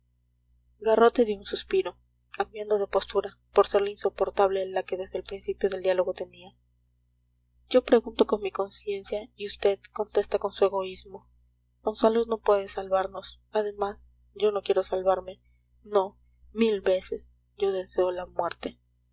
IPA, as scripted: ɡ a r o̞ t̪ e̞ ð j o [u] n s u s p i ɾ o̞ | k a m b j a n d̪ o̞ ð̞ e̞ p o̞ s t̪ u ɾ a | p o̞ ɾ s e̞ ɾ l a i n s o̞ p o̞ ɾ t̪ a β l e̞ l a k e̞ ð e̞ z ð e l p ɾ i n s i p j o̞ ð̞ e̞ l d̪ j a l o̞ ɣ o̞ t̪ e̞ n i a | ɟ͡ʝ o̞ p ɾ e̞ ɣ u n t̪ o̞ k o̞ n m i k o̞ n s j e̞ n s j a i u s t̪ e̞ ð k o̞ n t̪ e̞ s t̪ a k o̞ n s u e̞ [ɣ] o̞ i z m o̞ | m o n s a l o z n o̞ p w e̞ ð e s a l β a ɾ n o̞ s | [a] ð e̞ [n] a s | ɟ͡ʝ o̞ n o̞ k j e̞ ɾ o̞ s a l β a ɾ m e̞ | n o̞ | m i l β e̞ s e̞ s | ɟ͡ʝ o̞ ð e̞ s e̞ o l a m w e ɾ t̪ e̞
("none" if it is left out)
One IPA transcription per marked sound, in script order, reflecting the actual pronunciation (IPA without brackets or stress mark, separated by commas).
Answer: u, ɣ, a, m